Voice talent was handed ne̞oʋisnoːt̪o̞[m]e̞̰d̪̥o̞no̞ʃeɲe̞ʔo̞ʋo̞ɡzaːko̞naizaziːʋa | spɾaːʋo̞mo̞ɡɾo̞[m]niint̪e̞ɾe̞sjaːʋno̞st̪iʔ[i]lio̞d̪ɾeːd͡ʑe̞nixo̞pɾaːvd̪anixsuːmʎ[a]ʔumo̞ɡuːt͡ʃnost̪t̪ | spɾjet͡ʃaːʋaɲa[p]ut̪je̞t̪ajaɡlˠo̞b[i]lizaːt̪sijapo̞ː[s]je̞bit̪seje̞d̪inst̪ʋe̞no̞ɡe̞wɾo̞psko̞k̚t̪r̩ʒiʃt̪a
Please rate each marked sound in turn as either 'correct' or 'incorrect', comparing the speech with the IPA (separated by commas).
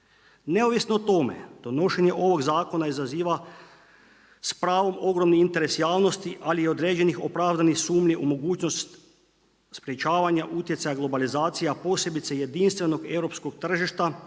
correct, correct, incorrect, incorrect, incorrect, incorrect, correct